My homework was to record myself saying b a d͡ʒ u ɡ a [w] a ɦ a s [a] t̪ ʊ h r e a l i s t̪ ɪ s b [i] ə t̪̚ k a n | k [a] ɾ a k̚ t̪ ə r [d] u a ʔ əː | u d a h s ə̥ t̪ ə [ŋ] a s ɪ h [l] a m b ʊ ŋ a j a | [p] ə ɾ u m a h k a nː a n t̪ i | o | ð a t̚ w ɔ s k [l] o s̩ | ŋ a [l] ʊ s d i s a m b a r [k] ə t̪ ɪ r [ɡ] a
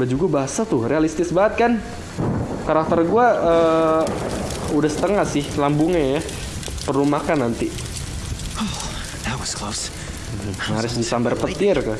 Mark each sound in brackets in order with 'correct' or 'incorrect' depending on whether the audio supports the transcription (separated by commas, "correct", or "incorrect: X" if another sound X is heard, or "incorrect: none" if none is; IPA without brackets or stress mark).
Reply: incorrect: b, correct, incorrect: a, correct, incorrect: ɡ, correct, correct, correct, correct, incorrect: ɾ, incorrect: p, incorrect: k